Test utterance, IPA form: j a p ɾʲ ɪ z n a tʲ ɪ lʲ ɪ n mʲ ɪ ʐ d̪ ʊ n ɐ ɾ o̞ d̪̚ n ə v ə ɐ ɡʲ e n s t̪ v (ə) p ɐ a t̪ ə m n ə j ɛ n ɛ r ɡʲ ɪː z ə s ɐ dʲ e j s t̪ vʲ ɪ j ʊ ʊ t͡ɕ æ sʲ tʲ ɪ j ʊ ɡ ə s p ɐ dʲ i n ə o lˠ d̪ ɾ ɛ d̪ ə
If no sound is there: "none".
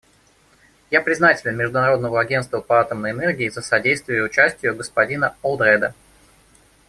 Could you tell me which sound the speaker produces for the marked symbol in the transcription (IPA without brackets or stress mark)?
ə